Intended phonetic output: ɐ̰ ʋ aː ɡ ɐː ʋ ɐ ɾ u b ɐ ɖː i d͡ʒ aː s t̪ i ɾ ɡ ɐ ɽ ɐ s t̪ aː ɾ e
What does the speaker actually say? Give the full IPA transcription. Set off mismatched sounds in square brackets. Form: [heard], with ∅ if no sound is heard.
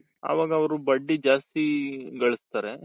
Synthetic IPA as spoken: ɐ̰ ʋ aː ɡ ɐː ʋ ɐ ɾ u b ɐ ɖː i d͡ʒ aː s t̪ i [∅] ɡ ɐ [ɭ] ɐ s t̪ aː ɾ e